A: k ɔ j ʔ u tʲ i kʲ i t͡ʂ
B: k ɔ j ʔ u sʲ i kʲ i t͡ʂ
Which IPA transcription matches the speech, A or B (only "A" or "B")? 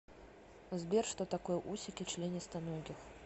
B